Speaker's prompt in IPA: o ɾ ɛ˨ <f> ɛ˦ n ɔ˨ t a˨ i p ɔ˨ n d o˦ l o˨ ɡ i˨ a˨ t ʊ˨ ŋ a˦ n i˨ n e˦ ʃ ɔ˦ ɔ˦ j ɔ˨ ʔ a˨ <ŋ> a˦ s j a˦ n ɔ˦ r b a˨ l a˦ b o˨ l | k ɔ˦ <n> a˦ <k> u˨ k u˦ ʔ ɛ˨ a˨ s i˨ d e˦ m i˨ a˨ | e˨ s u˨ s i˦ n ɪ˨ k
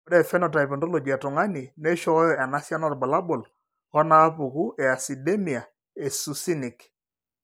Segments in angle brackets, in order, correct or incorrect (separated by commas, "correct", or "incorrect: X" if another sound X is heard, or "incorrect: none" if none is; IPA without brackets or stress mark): correct, incorrect: n, correct, incorrect: p